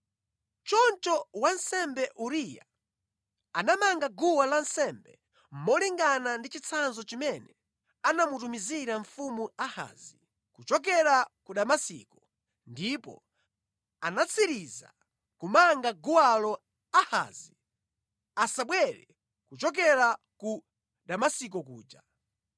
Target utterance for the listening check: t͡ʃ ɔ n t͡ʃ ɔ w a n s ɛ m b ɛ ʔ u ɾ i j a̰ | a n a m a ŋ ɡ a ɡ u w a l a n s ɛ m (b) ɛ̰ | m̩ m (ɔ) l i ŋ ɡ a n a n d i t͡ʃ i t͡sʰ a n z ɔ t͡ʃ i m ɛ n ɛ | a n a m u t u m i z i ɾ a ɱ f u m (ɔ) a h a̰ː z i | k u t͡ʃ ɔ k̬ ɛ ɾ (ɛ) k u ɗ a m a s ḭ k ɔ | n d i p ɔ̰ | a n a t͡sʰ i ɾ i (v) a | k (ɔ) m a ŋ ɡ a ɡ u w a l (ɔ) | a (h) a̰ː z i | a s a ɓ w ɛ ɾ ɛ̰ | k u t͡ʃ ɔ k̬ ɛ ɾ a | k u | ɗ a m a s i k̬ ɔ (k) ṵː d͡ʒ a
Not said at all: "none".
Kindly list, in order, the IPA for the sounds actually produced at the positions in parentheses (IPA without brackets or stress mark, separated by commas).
b, ɔ, u, a, z, u, ɔ, h, k